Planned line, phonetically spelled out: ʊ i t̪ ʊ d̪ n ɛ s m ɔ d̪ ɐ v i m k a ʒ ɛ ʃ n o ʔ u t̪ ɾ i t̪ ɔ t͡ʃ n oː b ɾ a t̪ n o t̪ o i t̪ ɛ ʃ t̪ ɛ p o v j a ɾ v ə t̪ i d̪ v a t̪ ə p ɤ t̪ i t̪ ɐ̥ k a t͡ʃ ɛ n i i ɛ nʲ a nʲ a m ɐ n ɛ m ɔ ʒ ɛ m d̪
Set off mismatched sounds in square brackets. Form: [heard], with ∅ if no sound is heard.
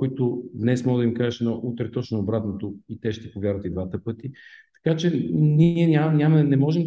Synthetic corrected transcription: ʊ i t̪ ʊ d̪ n ɛ s m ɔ d̪ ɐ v i m k a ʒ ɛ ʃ n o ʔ u t̪ ɾ [ɛ] t̪ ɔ t͡ʃ n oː b ɾ a t̪ n o t̪ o i t̪ ɛ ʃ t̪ ɛ p o v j a ɾ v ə t̪ i d̪ v a t̪ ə p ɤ t̪ i t̪ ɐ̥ k a t͡ʃ ɛ n i i ɛ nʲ a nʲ a m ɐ n ɛ m ɔ ʒ ɛ m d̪